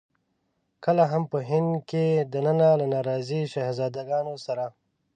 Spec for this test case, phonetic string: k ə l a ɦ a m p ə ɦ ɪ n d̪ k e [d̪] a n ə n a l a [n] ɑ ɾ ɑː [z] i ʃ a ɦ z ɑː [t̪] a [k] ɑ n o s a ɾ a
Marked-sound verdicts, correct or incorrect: correct, correct, correct, incorrect, incorrect

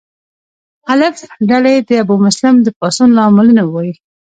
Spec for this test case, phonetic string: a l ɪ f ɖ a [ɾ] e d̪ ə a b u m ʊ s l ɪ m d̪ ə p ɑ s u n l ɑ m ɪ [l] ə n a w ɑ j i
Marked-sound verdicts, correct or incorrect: incorrect, correct

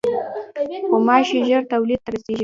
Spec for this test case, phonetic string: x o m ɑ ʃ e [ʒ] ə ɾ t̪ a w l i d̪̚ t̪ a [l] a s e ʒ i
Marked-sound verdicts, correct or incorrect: correct, incorrect

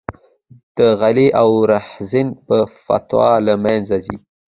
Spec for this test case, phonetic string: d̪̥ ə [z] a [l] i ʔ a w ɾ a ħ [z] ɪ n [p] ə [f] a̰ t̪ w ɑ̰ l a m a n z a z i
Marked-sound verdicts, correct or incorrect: incorrect, correct, correct, correct, correct

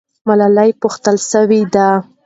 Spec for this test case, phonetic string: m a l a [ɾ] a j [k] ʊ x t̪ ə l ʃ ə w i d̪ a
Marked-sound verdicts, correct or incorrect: incorrect, incorrect

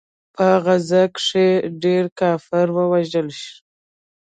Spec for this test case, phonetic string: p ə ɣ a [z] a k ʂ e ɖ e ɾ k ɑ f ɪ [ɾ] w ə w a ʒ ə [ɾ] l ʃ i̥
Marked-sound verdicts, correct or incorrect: correct, correct, incorrect

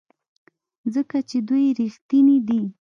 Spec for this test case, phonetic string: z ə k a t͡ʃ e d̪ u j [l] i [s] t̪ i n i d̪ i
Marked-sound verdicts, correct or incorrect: incorrect, incorrect

